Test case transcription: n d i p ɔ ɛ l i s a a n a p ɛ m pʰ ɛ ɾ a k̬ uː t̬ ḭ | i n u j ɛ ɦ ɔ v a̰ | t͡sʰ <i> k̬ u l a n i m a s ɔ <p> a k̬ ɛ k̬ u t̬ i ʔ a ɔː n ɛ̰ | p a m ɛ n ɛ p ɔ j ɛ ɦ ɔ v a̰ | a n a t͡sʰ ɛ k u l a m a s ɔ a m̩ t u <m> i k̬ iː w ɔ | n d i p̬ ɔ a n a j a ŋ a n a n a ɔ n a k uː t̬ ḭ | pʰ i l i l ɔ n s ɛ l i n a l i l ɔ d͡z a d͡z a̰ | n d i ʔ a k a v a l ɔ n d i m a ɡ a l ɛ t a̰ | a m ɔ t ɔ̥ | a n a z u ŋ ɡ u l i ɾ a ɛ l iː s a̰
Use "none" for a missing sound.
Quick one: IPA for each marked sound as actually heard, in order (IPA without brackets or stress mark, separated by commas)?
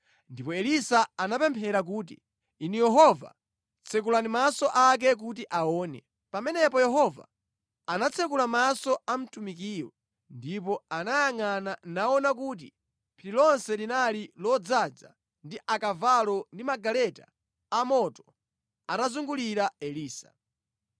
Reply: ɛ, ʔ, m